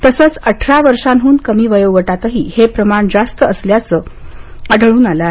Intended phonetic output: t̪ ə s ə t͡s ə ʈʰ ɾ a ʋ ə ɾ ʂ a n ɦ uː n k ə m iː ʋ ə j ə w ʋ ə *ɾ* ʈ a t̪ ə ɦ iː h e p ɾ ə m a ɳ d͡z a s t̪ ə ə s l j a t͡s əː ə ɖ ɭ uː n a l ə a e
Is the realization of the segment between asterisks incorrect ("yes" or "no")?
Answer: yes